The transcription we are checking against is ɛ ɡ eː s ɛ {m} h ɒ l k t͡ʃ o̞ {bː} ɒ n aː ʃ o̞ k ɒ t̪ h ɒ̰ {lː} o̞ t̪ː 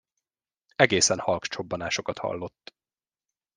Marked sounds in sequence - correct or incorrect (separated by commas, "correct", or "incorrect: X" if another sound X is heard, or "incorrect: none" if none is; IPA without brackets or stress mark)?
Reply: incorrect: n, correct, correct